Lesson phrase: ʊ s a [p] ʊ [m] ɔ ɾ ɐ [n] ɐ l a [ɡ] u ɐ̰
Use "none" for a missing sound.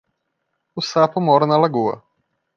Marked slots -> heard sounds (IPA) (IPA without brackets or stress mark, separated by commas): p, m, n, ɡ